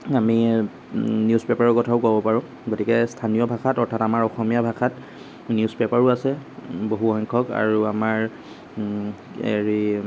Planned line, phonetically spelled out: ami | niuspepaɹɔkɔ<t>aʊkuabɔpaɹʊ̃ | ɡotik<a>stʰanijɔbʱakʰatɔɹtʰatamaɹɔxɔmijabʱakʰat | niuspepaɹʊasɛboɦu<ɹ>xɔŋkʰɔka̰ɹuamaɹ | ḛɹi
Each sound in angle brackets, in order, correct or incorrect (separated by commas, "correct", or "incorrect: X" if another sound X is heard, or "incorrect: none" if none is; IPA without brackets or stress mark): incorrect: tʰ, incorrect: ɛ, incorrect: none